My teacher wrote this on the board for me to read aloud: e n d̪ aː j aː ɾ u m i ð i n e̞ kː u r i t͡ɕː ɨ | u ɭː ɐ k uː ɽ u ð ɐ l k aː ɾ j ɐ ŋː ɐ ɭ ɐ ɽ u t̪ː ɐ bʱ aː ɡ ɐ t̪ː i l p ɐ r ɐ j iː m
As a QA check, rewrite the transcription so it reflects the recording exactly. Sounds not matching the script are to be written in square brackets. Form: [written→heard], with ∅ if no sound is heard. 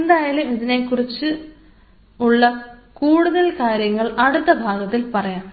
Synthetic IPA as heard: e n d̪ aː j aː [ɾ→l] u m i ð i n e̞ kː u r i t͡ɕː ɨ | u ɭː ɐ k uː ɽ u ð ɐ l k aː ɾ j ɐ ŋː ɐ ɭ ɐ ɽ u t̪ː ɐ bʱ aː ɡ ɐ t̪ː i l p ɐ r ɐ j [iː→aː] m